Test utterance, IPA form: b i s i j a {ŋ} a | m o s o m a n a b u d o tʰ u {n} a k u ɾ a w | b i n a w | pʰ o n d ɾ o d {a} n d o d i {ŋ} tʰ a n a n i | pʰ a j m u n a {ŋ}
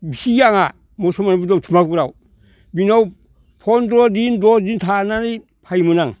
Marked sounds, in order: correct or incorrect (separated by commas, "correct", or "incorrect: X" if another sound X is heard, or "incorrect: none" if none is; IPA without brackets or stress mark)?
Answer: correct, incorrect: m, incorrect: i, incorrect: n, correct